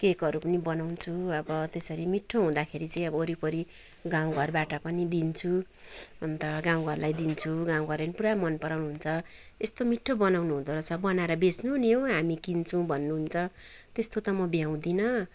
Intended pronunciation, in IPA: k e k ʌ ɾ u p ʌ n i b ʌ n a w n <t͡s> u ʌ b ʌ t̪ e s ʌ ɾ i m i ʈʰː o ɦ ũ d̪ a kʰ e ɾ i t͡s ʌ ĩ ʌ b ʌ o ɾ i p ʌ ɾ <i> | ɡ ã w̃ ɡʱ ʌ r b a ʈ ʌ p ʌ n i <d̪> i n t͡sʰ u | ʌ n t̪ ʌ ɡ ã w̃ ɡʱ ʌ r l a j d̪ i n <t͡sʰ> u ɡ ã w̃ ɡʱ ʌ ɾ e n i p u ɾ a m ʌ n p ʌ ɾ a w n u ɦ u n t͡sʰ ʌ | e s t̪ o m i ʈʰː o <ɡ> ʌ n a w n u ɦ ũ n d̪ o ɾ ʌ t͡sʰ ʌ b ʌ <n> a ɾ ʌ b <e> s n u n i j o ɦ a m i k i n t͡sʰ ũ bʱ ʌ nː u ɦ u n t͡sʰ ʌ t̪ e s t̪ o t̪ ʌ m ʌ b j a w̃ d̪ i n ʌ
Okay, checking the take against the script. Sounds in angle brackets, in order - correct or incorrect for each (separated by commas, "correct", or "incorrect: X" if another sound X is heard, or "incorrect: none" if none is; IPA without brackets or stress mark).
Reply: incorrect: t͡sʰ, correct, correct, correct, incorrect: b, correct, correct